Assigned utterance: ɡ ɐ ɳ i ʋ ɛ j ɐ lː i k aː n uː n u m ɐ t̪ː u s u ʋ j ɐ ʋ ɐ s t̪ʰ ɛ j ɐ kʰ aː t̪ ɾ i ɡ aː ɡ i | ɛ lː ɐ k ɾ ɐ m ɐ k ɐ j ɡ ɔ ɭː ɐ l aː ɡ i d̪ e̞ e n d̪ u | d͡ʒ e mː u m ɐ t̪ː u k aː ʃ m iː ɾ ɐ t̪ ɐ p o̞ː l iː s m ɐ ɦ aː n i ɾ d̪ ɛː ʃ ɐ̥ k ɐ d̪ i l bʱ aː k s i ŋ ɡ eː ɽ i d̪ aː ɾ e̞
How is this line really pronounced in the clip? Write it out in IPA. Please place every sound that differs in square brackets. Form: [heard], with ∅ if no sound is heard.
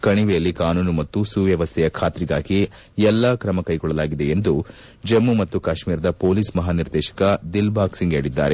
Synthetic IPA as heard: [k] ɐ ɳ i ʋ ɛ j ɐ lː i k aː n uː n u m ɐ t̪ː u s u ʋ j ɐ ʋ ɐ s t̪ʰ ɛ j ɐ kʰ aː t̪ ɾ i ɡ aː ɡ i | ɛ lː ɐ k ɾ ɐ m ɐ k ɐ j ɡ ɔ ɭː ɐ l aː ɡ i d̪ e̞ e n d̪ u | d͡ʒ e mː u m ɐ t̪ː u k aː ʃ m iː ɾ ɐ [d̪] ɐ p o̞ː l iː s m ɐ ɦ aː n i ɾ d̪ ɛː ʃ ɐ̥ k ɐ d̪ i l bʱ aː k s i ŋ ɡ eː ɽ i [d̪ː] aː ɾ e̞